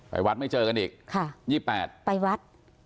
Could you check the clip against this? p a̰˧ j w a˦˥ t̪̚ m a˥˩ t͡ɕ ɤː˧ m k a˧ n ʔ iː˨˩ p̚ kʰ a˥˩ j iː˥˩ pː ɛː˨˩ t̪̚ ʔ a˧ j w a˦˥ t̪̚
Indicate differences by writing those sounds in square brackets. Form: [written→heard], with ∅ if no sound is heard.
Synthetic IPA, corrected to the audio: p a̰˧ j w a˦˥ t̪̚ m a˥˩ t͡ɕ ɤː˧ [m→∅] k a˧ n ʔ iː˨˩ [p̚→k̚] kʰ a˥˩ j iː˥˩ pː ɛː˨˩ t̪̚ [ʔ→p] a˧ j w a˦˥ t̪̚